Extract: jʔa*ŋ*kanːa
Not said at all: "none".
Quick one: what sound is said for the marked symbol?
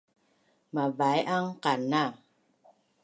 ŋ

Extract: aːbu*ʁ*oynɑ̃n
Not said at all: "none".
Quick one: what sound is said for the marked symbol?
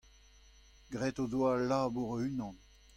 ʁ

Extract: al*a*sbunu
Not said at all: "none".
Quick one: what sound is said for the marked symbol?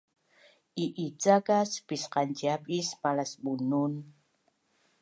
a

